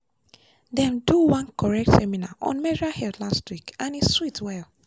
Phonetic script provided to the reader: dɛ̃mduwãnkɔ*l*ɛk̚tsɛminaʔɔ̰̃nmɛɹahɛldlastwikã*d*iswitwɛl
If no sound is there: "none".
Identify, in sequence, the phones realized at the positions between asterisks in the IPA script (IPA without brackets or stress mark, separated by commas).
ɹ, n